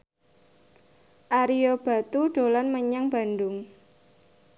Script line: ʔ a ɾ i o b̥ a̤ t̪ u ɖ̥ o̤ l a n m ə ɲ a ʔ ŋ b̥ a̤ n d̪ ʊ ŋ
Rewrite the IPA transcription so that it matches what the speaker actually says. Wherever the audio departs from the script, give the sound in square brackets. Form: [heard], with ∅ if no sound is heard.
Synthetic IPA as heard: ʔ a ɾ i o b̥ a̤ t̪ u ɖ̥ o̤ l a n m ə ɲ a [∅] ŋ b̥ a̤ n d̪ ʊ ŋ